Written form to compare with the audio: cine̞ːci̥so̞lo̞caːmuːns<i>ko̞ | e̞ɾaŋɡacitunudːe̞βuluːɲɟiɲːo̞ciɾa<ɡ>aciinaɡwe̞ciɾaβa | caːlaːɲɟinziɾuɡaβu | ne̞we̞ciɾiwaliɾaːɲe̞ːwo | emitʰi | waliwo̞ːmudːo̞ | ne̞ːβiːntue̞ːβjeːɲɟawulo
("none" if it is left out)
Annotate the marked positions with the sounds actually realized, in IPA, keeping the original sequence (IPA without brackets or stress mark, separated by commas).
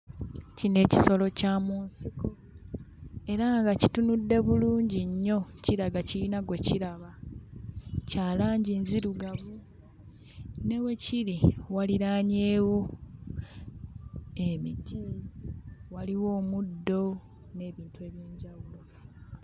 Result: i, ɡ